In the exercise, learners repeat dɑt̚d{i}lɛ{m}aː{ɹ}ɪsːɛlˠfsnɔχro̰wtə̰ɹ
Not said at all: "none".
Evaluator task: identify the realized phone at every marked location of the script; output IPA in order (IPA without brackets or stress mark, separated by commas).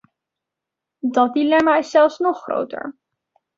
i, m, none